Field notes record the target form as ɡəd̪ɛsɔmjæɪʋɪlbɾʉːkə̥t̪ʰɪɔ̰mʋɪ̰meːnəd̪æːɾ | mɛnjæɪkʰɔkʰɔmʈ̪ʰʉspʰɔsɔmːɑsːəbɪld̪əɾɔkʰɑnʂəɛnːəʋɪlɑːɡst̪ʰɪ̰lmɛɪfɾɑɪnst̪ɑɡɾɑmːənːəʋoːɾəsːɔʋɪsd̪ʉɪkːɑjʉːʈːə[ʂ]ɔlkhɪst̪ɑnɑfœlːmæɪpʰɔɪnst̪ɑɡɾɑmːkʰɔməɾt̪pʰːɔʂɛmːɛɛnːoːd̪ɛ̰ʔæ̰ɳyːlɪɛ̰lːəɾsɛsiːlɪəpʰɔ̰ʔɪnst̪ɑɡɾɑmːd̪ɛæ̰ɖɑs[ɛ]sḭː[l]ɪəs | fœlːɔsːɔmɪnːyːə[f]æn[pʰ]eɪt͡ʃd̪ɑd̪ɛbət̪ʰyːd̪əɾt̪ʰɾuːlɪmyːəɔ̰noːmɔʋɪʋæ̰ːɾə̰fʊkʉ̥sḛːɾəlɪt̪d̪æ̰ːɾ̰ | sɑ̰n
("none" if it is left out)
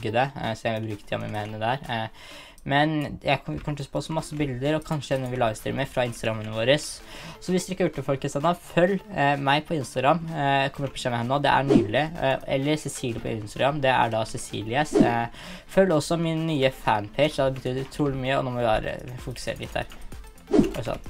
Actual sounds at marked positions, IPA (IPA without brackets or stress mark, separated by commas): f, ɛ, l, f, pʰ